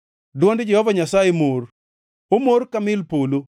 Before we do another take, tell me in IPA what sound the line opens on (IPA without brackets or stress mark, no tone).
d